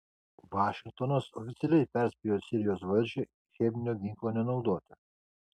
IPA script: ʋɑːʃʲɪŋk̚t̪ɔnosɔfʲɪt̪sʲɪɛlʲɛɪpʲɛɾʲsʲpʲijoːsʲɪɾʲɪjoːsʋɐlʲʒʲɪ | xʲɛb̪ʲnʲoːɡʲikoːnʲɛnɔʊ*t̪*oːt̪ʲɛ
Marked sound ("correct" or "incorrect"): incorrect